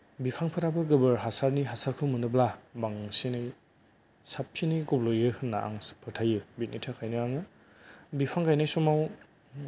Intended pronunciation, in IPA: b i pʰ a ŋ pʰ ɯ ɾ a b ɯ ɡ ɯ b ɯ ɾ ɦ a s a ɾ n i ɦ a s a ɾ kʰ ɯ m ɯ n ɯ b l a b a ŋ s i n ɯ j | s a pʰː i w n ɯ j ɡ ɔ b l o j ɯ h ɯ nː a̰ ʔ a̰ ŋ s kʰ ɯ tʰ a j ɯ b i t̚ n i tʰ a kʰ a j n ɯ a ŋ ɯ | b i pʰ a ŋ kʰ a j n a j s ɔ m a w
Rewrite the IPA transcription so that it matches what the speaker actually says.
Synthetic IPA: b i pʰ a ŋ pʰ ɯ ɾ a b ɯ ɡ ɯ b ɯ ɾ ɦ a s a ɾ n i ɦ a s a ɾ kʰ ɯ m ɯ n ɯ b l a b a ŋ s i n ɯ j | s a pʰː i n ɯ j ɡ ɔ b l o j ɯ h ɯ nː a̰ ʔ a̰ ŋ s pʰ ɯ tʰ a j ɯ b i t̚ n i tʰ a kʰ a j n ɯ a ŋ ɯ | b i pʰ a ŋ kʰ a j n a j s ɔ m a w